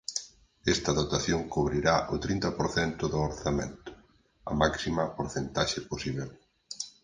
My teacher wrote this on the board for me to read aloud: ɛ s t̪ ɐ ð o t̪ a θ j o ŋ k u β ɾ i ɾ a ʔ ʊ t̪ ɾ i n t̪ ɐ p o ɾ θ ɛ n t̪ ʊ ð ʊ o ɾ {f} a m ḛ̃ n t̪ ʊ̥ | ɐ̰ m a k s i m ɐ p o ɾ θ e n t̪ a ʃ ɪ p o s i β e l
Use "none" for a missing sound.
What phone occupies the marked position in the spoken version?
θ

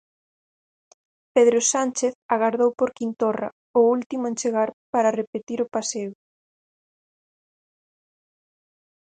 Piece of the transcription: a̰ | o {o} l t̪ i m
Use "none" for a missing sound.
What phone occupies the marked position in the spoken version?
u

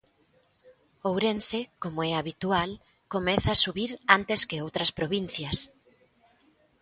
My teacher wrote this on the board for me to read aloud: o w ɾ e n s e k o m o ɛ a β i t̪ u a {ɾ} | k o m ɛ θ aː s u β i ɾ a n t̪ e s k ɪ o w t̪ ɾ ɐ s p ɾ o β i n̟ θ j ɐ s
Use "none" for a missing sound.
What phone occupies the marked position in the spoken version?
l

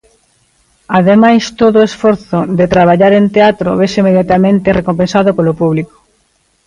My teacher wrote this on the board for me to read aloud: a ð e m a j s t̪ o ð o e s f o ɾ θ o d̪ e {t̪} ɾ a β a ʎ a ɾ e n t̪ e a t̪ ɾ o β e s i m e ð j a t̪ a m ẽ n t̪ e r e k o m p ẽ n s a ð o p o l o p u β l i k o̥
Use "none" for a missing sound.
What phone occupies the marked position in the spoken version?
t̪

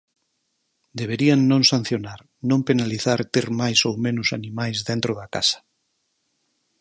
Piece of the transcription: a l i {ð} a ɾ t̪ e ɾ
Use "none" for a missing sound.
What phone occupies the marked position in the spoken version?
θ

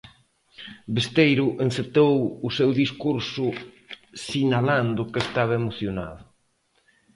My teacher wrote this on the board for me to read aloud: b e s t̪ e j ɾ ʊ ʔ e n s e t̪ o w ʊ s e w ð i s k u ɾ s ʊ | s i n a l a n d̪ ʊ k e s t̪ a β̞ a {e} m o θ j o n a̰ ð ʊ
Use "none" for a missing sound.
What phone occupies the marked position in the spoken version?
e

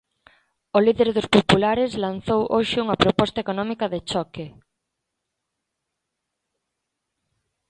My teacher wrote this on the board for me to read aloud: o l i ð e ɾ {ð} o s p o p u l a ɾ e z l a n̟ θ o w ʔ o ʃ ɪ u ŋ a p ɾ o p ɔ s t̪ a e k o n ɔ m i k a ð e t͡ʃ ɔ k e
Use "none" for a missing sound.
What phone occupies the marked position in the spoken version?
ð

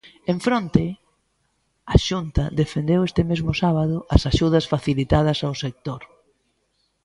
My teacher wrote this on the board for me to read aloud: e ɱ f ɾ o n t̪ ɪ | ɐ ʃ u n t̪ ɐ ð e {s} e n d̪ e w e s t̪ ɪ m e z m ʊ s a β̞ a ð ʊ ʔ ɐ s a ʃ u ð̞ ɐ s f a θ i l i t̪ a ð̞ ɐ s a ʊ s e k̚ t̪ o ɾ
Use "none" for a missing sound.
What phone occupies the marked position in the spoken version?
f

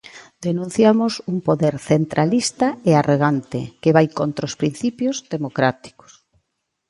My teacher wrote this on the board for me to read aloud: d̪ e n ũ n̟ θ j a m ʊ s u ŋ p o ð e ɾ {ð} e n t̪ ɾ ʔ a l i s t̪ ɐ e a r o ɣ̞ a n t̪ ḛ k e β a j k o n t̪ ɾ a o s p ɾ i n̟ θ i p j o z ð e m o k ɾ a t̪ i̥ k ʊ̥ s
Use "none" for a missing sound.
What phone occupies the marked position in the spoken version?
θ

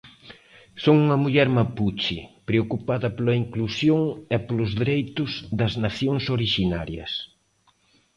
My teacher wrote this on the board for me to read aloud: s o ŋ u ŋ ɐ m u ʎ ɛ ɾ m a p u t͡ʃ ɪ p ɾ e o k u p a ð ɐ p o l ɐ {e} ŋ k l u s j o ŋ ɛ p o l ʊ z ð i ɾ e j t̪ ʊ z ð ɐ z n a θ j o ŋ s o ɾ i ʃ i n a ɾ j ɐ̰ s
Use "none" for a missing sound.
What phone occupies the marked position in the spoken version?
i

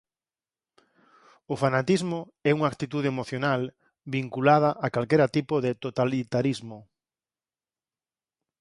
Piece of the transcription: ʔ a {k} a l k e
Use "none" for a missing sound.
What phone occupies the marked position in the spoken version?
k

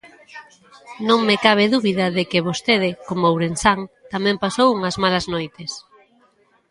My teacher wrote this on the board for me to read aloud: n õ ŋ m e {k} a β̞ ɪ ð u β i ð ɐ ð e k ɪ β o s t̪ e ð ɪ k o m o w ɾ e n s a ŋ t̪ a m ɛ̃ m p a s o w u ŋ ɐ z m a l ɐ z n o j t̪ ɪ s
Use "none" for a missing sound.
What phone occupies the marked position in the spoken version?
k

